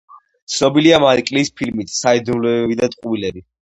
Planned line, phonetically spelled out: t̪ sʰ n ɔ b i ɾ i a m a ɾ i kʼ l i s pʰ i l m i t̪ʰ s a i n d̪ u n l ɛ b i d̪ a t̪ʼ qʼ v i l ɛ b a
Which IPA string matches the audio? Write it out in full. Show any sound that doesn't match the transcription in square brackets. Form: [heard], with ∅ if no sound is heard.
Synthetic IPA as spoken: t̪ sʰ n ɔ b i [l] i a m a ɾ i kʼ l i s pʰ i l m i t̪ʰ s a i [∅] d̪ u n l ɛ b i d̪ a t̪ʼ qʼ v i l ɛ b [i]